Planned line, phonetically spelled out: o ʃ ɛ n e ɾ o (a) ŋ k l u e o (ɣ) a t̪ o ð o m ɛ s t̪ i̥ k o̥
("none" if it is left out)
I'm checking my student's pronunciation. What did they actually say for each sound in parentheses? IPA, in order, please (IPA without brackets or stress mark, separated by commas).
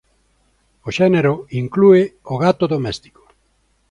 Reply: i, ɣ